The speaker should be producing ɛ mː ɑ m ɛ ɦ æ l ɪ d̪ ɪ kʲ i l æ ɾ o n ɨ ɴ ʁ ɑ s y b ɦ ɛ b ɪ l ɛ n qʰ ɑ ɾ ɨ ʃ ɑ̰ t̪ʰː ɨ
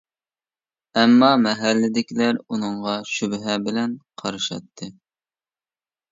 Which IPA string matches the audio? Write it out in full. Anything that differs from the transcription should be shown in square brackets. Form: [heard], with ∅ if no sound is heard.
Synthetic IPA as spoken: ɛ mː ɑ m ɛ ɦ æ [lː] ɪ d̪ ɪ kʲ i l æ ɾ [u] n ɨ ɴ ʁ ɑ [ʃ] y b ɦ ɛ b ɪ l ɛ n qʰ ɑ ɾ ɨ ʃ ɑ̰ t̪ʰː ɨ